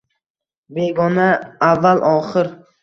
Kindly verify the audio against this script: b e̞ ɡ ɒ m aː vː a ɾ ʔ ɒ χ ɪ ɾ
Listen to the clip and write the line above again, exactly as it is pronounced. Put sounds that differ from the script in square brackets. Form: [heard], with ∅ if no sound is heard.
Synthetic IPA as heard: b e̞ ɡ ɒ [n] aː vː a [l] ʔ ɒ χ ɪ ɾ

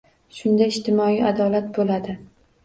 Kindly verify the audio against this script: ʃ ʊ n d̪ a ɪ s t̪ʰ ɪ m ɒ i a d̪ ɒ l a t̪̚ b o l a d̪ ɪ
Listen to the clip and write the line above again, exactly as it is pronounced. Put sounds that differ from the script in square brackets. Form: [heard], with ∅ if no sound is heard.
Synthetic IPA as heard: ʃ ʊ n d̪ a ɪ [ʃ] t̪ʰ ɪ m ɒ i a d̪ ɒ l a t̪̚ b o l a d̪ ɪ

